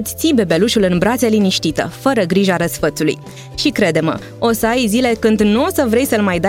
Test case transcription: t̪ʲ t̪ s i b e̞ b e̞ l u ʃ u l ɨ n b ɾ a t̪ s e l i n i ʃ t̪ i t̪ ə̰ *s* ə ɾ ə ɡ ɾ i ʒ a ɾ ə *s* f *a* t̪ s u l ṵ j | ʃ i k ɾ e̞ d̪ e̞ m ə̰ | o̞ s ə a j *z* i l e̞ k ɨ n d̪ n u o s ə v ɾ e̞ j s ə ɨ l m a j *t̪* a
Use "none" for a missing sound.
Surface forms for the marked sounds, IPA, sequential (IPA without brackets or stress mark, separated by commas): f, s, ə, z, d̪